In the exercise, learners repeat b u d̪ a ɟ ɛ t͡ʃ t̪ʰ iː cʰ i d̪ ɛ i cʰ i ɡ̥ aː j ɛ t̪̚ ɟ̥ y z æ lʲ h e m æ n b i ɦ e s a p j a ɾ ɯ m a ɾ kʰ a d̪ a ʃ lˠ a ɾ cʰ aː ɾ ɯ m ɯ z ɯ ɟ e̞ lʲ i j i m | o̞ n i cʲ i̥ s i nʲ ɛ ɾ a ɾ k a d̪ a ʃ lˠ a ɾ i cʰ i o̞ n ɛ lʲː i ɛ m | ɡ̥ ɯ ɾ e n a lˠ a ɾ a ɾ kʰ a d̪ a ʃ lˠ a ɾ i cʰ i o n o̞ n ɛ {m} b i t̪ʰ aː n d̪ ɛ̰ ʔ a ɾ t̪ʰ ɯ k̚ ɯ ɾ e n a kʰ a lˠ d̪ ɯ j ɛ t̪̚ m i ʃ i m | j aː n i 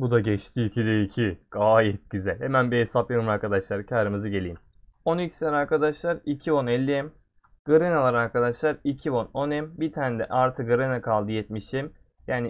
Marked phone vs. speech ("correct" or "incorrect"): correct